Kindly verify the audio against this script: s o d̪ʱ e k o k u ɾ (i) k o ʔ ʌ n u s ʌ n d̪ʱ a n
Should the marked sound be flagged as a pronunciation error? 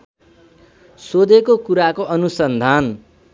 yes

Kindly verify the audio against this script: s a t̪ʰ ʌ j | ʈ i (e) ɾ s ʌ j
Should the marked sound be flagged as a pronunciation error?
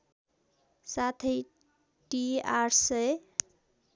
yes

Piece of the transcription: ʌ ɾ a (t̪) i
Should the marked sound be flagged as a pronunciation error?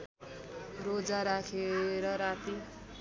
no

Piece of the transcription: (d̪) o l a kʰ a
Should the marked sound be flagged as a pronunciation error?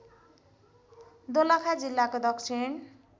no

